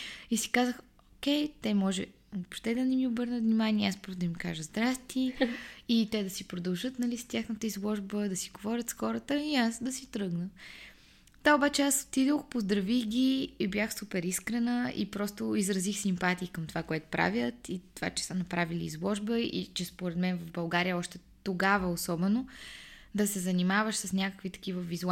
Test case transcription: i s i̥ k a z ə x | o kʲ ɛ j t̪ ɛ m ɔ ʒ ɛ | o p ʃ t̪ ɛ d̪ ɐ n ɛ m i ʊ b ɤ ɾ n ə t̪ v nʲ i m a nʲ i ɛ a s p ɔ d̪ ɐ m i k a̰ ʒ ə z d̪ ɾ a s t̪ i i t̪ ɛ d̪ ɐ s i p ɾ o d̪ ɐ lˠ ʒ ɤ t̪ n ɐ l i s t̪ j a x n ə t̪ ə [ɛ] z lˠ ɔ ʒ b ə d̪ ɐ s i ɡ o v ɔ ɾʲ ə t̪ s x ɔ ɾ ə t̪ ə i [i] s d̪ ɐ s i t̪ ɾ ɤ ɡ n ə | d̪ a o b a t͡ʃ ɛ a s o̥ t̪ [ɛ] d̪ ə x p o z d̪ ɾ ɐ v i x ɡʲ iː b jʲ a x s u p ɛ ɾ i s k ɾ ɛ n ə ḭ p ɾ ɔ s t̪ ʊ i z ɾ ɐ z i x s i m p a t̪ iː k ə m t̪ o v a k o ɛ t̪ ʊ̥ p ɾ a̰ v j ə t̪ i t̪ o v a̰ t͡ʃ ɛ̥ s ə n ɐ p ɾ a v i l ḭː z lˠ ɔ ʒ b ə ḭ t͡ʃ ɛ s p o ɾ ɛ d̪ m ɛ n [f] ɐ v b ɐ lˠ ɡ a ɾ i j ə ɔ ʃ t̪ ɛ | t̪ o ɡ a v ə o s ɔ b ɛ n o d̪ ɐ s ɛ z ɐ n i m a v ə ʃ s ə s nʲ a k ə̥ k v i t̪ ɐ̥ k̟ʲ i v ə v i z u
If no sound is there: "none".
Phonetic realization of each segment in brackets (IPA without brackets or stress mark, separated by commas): i, a, i, v